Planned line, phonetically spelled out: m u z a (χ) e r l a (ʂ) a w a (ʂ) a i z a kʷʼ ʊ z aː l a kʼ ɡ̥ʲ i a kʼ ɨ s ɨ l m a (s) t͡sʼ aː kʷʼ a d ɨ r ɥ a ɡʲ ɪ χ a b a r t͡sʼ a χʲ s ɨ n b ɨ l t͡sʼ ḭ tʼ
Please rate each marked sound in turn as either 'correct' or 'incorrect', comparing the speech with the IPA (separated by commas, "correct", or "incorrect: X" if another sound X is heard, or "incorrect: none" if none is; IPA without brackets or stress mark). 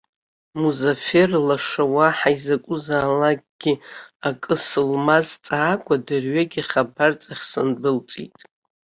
incorrect: f, correct, incorrect: ħ, incorrect: z